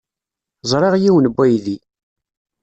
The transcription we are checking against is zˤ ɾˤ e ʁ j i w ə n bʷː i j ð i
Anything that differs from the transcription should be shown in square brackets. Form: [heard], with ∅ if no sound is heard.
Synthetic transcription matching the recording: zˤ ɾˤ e ʁ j i w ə n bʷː [æ] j ð i